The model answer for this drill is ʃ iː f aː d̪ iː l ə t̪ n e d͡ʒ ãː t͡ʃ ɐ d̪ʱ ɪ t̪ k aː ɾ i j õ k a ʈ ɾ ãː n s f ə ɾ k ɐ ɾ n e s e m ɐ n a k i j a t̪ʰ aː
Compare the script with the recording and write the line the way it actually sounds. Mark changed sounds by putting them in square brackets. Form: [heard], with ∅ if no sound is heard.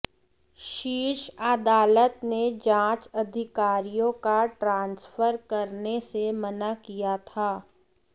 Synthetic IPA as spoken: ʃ iː [ʃ] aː d̪ [aː] l ə t̪ n e d͡ʒ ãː t͡ʃ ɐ d̪ʱ ɪ [∅] k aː ɾ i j õ k a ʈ ɾ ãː n s f ə ɾ k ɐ ɾ n e s e m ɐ n a k i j a t̪ʰ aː